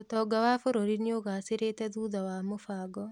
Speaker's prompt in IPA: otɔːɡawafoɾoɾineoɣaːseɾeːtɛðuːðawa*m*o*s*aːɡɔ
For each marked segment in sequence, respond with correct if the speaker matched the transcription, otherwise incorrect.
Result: correct, incorrect

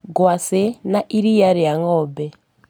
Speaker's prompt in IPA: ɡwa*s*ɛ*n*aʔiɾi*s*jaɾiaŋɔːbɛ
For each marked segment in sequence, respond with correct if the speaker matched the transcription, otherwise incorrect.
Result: correct, correct, incorrect

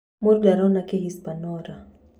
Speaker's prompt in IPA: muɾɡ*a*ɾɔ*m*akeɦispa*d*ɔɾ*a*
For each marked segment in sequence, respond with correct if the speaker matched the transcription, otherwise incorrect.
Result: correct, incorrect, incorrect, correct

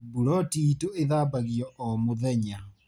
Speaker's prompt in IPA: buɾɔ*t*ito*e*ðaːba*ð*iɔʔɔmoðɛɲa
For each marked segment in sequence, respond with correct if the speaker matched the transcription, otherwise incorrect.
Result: correct, correct, incorrect

